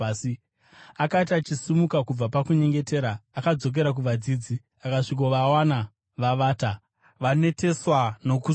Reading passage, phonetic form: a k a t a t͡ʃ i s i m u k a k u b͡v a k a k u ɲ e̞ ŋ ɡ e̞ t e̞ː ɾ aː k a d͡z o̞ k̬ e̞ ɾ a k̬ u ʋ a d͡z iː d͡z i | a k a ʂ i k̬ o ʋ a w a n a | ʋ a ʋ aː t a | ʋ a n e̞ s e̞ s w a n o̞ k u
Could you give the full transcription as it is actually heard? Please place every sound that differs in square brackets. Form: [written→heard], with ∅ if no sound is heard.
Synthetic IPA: a k a t a t͡ʃ i s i m u k a k u b͡v a [k→p] a k u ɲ e̞ ŋ ɡ e̞ t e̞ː ɾ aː k a d͡z o̞ k̬ e̞ ɾ a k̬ u ʋ a d͡z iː d͡z i | a k a ʂ i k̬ o ʋ a w a n a | ʋ a ʋ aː t a | ʋ a n e̞ [s→t] e̞ s w a n o̞ k u

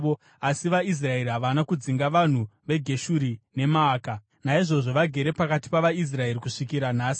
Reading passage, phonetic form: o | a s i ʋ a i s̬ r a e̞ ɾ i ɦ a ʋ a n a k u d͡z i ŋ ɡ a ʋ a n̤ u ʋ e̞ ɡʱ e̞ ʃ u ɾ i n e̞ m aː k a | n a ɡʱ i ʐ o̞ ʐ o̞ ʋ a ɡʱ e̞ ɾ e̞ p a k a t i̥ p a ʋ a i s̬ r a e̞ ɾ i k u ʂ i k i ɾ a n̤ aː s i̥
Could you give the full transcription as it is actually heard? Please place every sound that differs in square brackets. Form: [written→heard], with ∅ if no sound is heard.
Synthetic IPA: o | a s i ʋ a i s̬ r a e̞ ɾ i ɦ a ʋ a n a k u d͡z i ŋ ɡ a ʋ a n̤ u ʋ e̞ ɡʱ e̞ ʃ u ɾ i n e̞ m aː k a | n a [ɡʱ→∅] i ʐ o̞ ʐ o̞ ʋ a ɡʱ e̞ ɾ e̞ p a k a t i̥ p a ʋ a i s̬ r a e̞ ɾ i k u ʂ i k i ɾ a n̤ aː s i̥

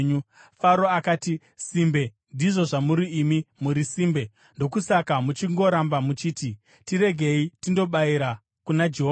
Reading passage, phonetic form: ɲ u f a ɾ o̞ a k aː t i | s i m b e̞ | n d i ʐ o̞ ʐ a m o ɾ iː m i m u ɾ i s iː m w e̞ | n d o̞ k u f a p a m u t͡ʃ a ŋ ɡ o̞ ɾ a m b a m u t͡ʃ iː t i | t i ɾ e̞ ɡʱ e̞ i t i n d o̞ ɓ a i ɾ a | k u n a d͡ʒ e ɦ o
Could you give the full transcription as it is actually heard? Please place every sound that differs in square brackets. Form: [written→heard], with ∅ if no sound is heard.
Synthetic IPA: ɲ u f a ɾ o̞ a k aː t i | s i m b e̞ | n d i ʐ o̞ ʐ a m [o→u] ɾ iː m i m u ɾ i s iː m [w→b] e̞ | n d o̞ k u [f→s] a [p→k] a m u t͡ʃ [a→i] ŋ ɡ o̞ ɾ a m b a m u t͡ʃ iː t i | t i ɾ e̞ ɡʱ e̞ i t i n d o̞ ɓ a i ɾ a | k u n a d͡ʒ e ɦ o

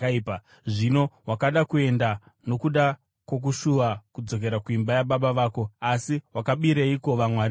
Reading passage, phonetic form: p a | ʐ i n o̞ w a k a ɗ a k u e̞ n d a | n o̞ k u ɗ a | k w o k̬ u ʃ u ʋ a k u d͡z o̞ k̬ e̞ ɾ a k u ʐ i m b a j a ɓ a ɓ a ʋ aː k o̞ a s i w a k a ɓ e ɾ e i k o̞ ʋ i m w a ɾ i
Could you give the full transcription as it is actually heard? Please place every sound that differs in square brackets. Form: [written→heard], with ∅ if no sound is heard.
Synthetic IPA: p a | ʐ i n o̞ w a k a ɗ a k u e̞ n d a | n o̞ k u ɗ a | k w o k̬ u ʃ u ʋ a k u d͡z o̞ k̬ e̞ ɾ a k u [ʐ→∅] i m b a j a ɓ a ɓ a ʋ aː k o̞ a s i w a k a ɓ [e→i] ɾ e i k o̞ ʋ [i→a] m w a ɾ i

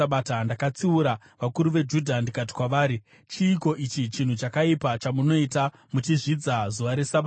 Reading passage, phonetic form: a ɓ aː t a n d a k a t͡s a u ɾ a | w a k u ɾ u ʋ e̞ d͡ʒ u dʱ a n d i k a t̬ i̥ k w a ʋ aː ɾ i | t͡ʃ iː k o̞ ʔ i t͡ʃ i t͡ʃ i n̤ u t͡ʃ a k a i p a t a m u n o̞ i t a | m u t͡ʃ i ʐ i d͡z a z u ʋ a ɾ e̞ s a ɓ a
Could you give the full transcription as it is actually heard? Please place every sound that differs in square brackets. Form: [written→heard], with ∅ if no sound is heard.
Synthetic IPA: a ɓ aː t a n d a k a t͡s [a→i] u ɾ a | [w→ʋ] a k u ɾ u ʋ e̞ d͡ʒ u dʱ a n d i k a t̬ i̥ k w a ʋ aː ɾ i | t͡ʃ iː k o̞ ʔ i t͡ʃ i t͡ʃ i n̤ u t͡ʃ a k a i p a [t→t͡ʃ] a m u n o̞ i t a | m u t͡ʃ i ʐ i d͡z a z u ʋ a ɾ e̞ s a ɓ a

